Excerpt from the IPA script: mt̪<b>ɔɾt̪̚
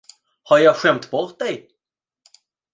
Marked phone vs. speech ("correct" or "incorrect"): correct